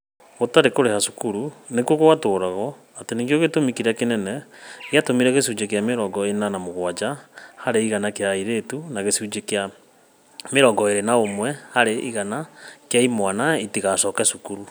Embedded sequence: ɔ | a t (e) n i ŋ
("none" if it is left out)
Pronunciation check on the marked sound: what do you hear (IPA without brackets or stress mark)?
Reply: e